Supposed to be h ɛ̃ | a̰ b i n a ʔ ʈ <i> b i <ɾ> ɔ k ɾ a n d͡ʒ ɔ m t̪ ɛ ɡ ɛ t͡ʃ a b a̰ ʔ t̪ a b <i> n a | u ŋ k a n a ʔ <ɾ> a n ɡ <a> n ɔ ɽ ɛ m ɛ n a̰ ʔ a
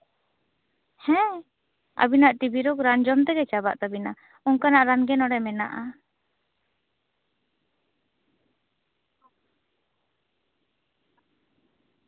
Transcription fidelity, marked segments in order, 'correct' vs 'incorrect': correct, correct, correct, correct, incorrect: ɛ

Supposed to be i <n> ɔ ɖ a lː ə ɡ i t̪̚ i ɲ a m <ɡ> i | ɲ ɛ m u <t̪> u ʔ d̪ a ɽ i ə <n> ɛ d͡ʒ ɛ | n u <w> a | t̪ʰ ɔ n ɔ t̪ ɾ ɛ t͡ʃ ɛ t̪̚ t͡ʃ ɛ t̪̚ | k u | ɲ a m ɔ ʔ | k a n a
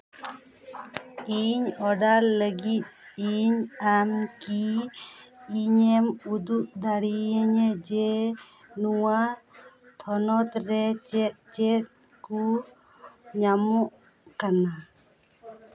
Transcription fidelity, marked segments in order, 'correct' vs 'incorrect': incorrect: ɲ, incorrect: k, incorrect: d̪, incorrect: ɲ, correct

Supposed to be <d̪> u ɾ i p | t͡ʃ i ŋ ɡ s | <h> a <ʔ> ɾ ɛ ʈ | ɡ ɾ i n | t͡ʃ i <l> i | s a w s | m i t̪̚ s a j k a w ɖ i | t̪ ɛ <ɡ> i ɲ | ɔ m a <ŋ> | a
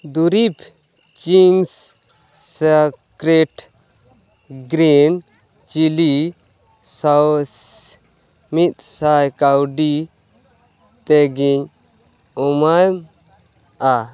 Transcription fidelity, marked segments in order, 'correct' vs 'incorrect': correct, incorrect: s, incorrect: k, correct, correct, incorrect: m

